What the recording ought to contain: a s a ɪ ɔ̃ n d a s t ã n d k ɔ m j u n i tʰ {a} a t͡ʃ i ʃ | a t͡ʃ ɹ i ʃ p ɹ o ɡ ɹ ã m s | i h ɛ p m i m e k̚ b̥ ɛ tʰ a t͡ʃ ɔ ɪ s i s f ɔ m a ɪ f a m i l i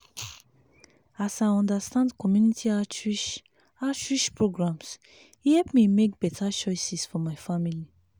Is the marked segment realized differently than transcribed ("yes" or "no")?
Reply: yes